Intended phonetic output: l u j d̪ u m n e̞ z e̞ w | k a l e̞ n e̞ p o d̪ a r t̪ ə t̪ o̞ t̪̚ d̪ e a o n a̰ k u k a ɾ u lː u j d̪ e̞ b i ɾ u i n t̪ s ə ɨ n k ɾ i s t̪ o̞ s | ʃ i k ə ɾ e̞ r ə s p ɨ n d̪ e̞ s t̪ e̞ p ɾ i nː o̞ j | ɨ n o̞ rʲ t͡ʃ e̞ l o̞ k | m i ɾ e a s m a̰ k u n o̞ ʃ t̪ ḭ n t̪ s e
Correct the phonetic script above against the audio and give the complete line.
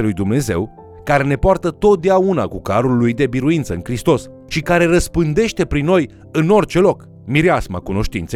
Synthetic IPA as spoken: l u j d̪ u m n e̞ z e̞ w | k a ɾ e̞ n e̞ p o a r t̪ ə t̪ o̞ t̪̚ d̪ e a u n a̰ k u k a ɾ u lː u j d̪ e̞ b i ɾ u i n t̪ s ə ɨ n k ɾ i s t̪ o̞ s | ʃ i k a ɾ e̞ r ə s p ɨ n d̪ e̞ ʃ t̪ e̞ p ɾ i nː o̞ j | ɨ n o̞ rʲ t͡ʃ e̞ l o̞ k | m i ɾ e a s m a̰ k u n o̞ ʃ t̪ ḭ n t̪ s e